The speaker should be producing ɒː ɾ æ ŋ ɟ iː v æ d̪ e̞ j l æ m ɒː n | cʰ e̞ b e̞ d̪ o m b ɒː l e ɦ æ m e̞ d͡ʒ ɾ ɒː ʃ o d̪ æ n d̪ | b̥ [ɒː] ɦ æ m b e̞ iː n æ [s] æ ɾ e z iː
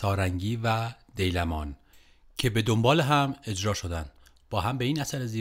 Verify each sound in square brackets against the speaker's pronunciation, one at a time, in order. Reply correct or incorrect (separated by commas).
correct, correct